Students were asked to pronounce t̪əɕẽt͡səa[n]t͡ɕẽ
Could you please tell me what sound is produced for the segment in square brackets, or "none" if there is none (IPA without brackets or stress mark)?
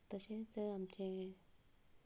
m